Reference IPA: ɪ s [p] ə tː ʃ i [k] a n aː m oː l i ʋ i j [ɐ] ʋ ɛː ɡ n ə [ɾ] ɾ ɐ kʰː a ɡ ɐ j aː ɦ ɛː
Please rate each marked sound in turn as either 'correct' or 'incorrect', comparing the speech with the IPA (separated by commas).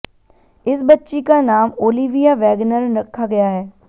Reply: incorrect, correct, incorrect, correct